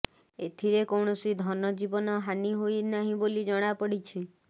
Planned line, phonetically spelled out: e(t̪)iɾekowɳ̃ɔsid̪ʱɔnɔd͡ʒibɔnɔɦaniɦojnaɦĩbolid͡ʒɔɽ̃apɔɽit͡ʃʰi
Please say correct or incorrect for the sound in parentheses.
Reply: incorrect: t̪ʰ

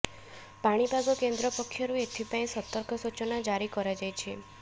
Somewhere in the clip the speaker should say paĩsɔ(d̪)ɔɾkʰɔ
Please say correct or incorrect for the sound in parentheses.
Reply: incorrect: t̪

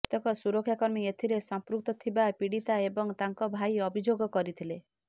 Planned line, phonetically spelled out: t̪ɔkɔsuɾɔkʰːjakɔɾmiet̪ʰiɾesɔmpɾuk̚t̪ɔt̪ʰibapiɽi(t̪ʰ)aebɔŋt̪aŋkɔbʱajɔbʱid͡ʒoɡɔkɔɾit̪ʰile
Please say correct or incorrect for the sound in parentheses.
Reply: incorrect: t̪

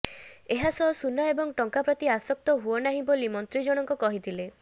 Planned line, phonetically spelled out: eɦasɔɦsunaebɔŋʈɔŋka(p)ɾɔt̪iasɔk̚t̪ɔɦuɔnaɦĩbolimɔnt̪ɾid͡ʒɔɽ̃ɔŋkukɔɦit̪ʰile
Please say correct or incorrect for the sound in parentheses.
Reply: correct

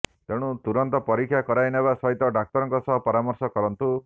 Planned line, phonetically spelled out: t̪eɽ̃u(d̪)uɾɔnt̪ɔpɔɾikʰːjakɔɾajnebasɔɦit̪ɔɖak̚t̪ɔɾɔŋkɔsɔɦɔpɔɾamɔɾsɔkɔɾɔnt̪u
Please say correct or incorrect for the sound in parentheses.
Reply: incorrect: t̪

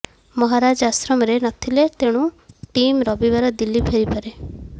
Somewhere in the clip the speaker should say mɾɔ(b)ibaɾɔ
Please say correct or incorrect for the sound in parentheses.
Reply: correct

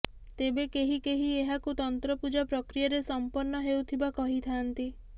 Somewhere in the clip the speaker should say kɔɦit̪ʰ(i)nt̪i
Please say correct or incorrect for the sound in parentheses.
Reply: incorrect: a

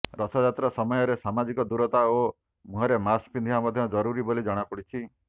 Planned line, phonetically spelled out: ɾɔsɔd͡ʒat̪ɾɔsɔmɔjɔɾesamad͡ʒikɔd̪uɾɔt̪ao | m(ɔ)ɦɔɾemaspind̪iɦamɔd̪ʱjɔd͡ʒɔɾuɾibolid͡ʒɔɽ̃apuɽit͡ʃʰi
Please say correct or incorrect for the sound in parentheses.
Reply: incorrect: u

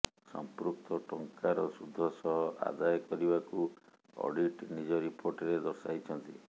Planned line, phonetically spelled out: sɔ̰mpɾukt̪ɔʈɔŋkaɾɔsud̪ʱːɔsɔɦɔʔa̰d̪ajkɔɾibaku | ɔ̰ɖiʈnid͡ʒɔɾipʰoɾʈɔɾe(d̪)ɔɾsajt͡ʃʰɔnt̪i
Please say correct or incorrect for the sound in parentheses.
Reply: correct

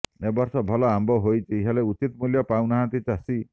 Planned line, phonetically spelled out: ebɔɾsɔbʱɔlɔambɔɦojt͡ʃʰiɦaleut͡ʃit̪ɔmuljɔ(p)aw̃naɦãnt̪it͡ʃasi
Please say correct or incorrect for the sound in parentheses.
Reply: correct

